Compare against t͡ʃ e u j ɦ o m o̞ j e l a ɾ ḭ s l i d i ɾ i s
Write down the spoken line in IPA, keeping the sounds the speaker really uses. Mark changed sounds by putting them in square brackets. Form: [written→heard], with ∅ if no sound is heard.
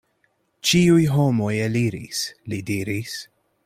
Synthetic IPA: t͡ʃ [e→i] u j ɦ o m o̞ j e l [a→i] ɾ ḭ s l i d i ɾ i s